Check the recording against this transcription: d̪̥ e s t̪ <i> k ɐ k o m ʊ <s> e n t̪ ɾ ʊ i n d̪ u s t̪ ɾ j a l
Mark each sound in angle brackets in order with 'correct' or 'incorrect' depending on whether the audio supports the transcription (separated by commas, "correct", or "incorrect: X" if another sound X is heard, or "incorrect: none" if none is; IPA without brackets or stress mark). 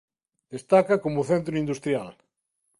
incorrect: a, incorrect: θ